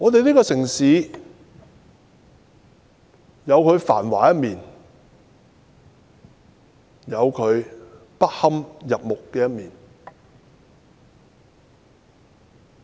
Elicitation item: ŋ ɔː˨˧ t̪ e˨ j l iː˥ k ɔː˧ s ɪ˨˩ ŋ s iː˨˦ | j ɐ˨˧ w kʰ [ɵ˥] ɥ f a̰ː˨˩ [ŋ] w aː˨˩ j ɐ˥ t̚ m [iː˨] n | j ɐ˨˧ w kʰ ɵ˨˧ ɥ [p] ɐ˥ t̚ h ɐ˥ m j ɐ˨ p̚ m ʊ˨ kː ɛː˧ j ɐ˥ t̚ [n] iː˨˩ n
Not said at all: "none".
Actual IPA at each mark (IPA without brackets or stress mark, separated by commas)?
ɵ˨˧, n, iː˨, p, m